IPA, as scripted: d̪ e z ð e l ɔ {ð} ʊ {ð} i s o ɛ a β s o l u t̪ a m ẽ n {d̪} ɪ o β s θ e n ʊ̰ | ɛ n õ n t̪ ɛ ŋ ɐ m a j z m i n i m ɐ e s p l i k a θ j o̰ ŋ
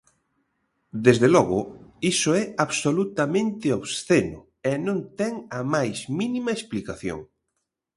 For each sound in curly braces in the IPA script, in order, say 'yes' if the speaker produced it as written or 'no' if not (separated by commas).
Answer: no, no, no